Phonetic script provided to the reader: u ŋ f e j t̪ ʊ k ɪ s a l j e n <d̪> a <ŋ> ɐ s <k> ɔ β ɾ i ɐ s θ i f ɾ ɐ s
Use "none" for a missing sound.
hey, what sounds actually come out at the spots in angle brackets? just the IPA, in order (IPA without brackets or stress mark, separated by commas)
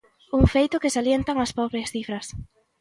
t̪, ŋ, p